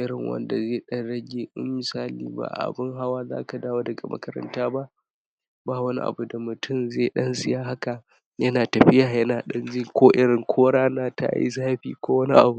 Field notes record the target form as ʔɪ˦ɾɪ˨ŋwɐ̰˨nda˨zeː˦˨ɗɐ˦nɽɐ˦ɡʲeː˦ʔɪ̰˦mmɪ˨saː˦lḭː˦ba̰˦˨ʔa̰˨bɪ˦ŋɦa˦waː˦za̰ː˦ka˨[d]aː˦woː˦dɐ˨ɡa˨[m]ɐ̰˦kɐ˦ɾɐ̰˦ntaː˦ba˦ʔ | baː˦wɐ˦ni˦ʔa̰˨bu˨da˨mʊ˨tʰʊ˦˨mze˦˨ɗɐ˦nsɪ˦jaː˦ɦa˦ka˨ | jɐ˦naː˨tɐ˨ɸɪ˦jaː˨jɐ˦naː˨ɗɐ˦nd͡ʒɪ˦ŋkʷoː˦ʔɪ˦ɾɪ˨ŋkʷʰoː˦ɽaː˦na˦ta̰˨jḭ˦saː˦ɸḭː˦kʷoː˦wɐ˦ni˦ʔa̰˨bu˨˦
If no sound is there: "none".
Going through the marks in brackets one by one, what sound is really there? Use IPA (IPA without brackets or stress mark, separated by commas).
d, m